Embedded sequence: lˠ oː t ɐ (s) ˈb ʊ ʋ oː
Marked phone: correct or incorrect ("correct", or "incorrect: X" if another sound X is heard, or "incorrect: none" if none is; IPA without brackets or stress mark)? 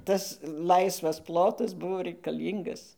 correct